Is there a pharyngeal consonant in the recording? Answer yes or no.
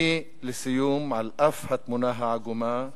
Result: yes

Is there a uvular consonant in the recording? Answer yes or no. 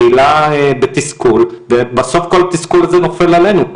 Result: no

